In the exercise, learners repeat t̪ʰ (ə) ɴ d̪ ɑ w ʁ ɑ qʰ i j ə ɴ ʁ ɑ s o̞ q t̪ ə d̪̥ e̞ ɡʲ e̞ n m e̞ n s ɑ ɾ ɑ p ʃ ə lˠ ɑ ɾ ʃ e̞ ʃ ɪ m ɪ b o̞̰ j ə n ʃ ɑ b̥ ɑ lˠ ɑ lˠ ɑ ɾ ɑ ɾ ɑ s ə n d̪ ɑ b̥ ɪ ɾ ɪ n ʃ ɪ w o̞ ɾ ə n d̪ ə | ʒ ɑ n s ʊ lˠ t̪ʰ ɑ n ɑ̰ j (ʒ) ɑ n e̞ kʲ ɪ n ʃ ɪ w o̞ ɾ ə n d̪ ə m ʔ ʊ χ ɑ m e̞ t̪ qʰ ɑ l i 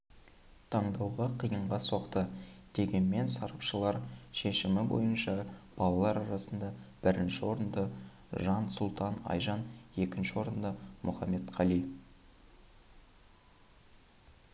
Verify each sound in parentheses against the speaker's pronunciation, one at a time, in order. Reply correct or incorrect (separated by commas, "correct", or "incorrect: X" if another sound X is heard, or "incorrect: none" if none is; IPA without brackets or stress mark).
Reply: incorrect: ɑ, correct